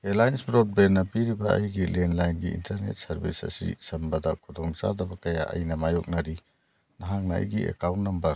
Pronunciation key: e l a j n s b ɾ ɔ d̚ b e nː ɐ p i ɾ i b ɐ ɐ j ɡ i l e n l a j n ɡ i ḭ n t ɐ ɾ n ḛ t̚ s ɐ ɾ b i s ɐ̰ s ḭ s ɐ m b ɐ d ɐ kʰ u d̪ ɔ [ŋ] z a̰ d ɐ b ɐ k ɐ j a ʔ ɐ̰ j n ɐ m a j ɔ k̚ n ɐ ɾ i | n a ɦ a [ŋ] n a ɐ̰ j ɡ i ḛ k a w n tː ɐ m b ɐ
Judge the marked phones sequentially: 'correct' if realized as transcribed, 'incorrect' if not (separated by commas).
correct, correct